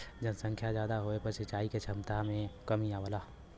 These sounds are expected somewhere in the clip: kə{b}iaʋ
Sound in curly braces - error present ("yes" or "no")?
yes